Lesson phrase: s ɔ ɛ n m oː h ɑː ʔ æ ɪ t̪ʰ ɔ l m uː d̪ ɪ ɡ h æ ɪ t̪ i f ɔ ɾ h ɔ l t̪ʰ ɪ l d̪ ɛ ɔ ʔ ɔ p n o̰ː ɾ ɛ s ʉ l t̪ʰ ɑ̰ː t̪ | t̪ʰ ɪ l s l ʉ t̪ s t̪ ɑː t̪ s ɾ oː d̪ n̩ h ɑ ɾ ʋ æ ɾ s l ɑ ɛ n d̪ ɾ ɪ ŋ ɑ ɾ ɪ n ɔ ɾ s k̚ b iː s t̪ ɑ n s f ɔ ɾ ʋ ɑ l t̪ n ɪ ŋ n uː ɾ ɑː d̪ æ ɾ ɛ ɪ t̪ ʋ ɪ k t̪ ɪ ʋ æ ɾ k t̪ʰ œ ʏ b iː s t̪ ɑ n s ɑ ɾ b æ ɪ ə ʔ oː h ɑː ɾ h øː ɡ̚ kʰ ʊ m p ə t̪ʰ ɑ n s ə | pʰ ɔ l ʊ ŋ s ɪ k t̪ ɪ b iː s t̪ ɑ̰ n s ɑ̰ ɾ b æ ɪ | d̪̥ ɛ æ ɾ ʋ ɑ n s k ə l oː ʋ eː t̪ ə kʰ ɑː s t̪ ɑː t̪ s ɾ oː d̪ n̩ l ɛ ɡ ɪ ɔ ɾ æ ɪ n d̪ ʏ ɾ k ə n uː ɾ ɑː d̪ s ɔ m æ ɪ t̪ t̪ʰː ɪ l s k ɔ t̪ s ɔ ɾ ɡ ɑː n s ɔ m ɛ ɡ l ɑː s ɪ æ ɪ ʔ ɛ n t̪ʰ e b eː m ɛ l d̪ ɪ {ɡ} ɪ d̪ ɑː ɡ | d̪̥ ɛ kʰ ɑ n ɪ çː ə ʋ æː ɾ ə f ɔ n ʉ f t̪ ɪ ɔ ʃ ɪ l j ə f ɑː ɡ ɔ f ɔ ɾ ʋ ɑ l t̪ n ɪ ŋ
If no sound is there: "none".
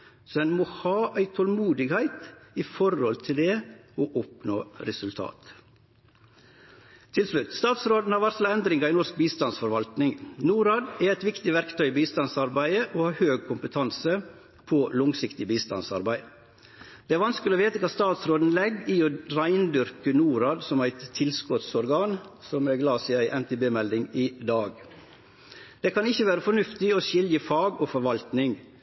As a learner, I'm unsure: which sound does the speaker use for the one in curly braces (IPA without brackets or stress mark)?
ŋ